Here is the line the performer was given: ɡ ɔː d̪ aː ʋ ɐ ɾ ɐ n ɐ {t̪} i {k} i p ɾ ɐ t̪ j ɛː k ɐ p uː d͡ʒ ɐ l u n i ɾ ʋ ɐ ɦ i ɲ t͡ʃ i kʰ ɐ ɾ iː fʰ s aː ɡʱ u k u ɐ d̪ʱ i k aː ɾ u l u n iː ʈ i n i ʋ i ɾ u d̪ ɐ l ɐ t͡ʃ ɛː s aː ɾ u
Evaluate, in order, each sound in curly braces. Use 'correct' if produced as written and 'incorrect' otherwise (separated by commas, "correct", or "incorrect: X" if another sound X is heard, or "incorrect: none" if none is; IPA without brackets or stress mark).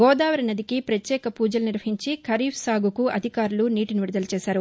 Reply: incorrect: d̪, correct